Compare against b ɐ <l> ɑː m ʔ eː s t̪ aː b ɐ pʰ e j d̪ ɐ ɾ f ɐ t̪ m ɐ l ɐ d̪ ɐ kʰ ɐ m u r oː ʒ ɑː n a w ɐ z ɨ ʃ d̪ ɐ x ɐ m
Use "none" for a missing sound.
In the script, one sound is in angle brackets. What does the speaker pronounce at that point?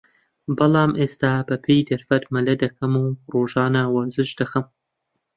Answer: l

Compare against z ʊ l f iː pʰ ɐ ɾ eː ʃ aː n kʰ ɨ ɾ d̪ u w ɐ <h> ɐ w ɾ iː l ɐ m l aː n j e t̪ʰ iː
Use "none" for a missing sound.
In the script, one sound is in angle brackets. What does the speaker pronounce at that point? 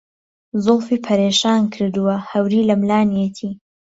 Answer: h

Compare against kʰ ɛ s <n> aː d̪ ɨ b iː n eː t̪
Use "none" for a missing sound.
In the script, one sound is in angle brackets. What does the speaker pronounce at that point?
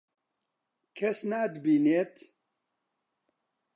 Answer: n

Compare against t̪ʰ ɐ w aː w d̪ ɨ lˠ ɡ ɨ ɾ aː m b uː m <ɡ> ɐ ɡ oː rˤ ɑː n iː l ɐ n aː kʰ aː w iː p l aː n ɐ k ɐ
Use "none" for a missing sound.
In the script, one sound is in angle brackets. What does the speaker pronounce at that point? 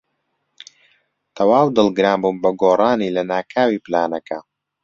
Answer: b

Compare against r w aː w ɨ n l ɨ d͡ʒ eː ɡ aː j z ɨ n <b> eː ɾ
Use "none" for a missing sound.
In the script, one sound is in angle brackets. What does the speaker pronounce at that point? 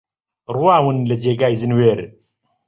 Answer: w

